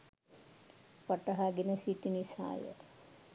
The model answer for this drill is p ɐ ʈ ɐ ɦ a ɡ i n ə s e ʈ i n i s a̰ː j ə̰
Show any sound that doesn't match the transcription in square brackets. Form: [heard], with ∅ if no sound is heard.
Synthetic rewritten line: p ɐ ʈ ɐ ɦ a ɡ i n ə s [i] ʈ i n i s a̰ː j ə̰